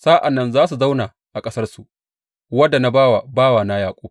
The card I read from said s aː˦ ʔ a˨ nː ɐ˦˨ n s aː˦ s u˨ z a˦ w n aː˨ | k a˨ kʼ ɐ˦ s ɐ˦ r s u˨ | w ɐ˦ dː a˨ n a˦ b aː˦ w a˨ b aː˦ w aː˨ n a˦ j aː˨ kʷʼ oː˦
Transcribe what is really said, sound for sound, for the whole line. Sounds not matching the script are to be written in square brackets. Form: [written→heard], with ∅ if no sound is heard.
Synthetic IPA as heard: s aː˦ ʔ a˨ nː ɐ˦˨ n [s→z] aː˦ s u˨ z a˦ w n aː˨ | [k→ʔ] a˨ kʼ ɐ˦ s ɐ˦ r s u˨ | w ɐ˦ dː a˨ n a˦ b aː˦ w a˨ b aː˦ w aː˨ n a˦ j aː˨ kʷʼ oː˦